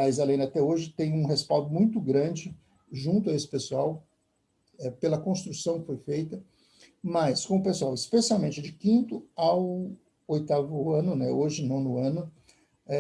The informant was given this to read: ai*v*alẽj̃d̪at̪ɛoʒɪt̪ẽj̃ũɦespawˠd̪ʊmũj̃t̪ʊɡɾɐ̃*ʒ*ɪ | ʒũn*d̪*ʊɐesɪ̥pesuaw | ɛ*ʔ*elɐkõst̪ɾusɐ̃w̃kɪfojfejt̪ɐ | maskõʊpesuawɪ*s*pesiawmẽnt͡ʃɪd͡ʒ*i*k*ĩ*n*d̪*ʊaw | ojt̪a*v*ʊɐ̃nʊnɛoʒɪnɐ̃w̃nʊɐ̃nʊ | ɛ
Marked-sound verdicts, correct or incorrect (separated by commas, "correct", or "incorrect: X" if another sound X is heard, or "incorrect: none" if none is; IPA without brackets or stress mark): incorrect: z, incorrect: d͡ʒ, incorrect: t̪, incorrect: p, correct, incorrect: ɪ, correct, incorrect: t̪, correct